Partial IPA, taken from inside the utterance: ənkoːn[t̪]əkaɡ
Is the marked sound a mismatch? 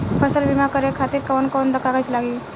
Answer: yes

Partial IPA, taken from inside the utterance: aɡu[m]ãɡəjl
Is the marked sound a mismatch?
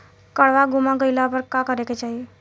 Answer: no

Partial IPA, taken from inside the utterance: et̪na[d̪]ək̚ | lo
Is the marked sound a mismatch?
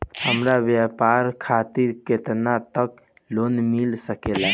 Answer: yes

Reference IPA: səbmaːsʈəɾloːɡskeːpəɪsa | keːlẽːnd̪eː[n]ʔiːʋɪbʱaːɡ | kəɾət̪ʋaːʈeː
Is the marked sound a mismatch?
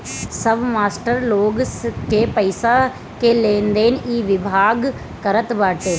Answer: no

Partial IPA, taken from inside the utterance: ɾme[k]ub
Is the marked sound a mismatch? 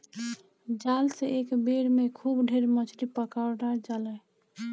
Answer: yes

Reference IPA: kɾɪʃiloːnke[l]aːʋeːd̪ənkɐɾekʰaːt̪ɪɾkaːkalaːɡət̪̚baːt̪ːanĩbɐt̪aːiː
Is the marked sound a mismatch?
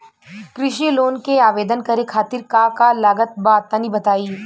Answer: yes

